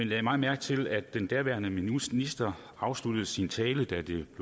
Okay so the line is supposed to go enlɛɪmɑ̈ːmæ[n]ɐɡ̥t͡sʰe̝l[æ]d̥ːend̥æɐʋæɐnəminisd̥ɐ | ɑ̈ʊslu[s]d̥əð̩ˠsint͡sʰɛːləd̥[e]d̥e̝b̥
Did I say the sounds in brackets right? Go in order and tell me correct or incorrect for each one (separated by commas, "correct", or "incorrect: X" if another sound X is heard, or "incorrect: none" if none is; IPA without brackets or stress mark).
incorrect: none, correct, incorrect: none, incorrect: æ